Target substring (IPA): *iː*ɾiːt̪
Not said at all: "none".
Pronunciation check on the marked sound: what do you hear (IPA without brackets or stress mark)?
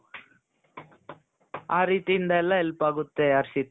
aː